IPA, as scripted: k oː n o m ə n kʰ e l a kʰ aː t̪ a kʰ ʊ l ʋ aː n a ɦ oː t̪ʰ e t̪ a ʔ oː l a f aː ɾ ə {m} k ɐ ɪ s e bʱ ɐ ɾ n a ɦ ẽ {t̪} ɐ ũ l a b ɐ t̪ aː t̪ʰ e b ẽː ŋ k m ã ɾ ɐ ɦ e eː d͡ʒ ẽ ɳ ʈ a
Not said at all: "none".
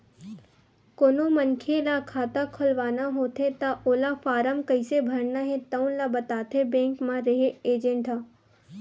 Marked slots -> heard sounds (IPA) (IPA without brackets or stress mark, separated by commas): m, t̪